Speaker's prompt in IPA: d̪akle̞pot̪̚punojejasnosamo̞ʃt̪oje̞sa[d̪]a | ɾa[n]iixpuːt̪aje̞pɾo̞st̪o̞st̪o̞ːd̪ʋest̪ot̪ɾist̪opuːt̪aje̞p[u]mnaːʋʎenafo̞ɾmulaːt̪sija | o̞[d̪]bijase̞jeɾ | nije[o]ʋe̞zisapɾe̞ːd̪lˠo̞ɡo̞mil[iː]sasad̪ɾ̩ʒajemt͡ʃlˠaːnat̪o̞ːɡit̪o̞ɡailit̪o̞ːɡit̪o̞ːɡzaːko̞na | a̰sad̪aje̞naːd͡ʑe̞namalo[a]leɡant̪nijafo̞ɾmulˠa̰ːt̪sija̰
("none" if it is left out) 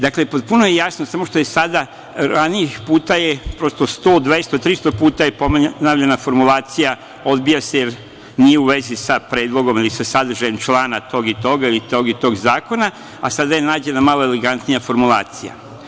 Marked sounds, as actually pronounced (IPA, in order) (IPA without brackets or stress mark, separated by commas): d̪, n, o, d̪, u, i, e